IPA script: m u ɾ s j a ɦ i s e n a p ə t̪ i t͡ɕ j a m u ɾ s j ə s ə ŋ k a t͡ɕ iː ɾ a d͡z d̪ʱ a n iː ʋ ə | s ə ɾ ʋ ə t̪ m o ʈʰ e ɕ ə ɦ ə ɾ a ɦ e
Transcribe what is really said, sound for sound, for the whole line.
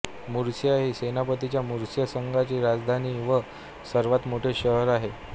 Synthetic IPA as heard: m u ɾ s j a ɦ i s e n a p ə t̪ i t͡ɕ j a m u ɾ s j ə s ə ŋ ɡ a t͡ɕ iː ɾ a d͡z d̪ʱ a n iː ʋ ə | s ə ɾ ʋ a t̪ m o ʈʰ e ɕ ə ɦ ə ɾ a ɦ e

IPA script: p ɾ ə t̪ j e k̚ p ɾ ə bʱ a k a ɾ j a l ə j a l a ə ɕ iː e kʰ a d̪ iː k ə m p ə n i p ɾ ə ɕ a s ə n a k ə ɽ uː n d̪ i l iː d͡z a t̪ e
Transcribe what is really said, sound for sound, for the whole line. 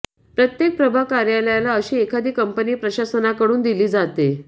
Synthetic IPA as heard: p ɾ ə t̪ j e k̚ p ɾ ə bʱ a k a ɾ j a l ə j a l a ə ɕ iː e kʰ a d̪ iː k ə m p ə n iː p ɾ ə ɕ a s ə n a k ə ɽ uː n d̪ i l iː d͡z a t̪ e

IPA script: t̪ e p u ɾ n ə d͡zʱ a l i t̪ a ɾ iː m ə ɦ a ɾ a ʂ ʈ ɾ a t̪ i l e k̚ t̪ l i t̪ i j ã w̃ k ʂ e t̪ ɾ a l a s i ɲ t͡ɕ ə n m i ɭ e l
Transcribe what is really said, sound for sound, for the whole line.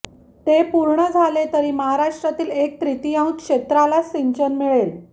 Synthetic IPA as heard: t̪ e p u ɾ ɳ ə d͡zʱ a l e t̪ ə ɾ iː m ə ɦ a ɾ a ʂ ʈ ɾ a t̪ iː l e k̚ t̪ ɾ i t̪ i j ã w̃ k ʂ e t̪ ɾ a l a s i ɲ t͡ɕ ə n m i ɭ e l

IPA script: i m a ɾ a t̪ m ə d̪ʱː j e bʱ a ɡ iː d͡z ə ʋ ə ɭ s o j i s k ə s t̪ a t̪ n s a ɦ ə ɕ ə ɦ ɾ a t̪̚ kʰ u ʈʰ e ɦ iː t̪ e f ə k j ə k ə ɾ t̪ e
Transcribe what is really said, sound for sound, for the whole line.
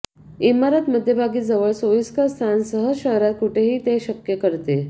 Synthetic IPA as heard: i m a ɾ a t̪ m ə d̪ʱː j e bʱ a ɡ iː d͡z ə ʋ ə ɭ s o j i s k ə s t̪ʰ a n s ə ɦ ə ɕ ə ɦ ɾ a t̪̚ k u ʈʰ e ɦ iː t̪ e ɕ ə k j ə k ə ɾ t̪ e

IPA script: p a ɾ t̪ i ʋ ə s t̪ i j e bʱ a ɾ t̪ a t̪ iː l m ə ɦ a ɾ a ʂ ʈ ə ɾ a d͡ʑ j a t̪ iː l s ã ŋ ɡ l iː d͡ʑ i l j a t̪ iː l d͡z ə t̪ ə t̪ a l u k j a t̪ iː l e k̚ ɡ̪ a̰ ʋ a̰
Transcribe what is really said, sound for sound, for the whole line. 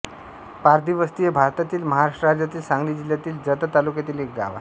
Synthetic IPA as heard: p a ɾ d̪ i ʋ ə s t̪ i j e bʱ a ɾ t̪ a t̪ iː l m ə ɦ a ɾ a ʂ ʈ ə ɾ a d͡ʑ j a t̪ iː l s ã ŋ ɡ l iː d͡ʑ i l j a t̪ iː l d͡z ə t̪ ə t̪ a l u k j a t̪ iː l e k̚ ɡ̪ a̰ ʋ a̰

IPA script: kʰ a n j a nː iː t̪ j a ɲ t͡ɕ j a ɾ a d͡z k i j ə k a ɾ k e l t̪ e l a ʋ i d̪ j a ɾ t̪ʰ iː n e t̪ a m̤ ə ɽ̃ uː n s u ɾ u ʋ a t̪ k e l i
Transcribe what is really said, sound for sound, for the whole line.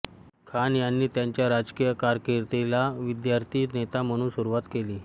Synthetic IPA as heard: kʰ a n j a nː iː t̪ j a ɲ t͡ɕ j a ɾ a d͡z k i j ə k a ɾ k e ɾ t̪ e l a ʋ i d̪ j a ɾ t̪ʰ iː n e t̪ a m̤ ə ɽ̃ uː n s u ɾ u ʋ a t̪ k e l iː

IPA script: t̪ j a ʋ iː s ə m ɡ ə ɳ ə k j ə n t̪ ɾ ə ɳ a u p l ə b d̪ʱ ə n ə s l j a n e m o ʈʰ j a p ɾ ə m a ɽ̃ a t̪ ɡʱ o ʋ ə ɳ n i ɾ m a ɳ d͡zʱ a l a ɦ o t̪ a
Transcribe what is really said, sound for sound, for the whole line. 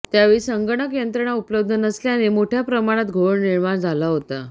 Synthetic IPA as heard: t̪ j a ʋ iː s ə ŋ ɡ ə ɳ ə k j ə n t̪ ɾ ə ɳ a u p l ə b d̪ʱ ə n ə s l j a n e m o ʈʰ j a p ɾ ə m a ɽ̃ a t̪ ɡʱ o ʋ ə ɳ n i ɾ m a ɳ d͡zʱ a l a ɦ o t̪ a

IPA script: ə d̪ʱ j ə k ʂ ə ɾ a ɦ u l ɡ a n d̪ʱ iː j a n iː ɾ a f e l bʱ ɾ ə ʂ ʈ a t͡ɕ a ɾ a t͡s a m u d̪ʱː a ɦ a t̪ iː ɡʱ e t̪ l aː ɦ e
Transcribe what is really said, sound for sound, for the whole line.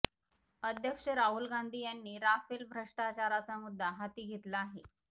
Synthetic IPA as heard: ə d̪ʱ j ə k ʂ ə ɾ a ɦ u l ɡ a n d̪ʱ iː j a nː iː ɾ a f e l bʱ ɾ ə ʂ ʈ a t͡ɕ a ɾ a t͡s a m u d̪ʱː a ɦ a t̪ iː ɡʱ e t̪ l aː ɦ e

